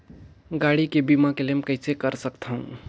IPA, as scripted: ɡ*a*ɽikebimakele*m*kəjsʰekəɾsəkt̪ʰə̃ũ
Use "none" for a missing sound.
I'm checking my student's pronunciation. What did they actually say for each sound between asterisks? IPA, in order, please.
a, m

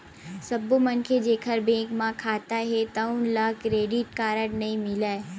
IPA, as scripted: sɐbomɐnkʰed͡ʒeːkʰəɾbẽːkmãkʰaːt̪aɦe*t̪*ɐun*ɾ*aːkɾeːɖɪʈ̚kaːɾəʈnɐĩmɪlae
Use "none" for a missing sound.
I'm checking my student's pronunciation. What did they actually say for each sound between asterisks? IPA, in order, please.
t̪, l

